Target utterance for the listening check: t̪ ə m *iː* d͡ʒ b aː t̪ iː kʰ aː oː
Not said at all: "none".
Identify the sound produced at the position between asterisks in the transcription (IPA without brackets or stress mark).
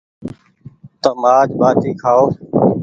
aː